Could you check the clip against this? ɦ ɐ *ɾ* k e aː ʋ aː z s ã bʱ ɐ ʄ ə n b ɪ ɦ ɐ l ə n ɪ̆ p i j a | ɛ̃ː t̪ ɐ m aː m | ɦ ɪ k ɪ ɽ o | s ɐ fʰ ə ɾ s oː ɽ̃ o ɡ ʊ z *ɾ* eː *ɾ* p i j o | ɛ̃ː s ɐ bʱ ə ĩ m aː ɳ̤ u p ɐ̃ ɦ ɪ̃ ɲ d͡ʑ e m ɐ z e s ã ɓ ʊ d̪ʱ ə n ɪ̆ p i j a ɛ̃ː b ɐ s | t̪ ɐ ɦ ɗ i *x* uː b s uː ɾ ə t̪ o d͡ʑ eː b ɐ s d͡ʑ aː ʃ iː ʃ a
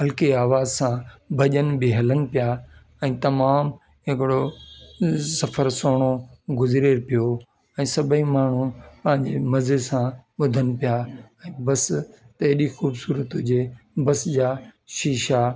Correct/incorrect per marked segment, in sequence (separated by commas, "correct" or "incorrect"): incorrect, correct, correct, correct